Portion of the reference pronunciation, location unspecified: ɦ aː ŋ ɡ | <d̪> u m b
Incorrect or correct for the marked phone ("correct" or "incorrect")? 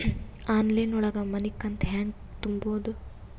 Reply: incorrect